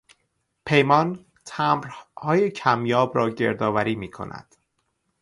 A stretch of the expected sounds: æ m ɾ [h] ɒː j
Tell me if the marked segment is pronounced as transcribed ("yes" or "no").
yes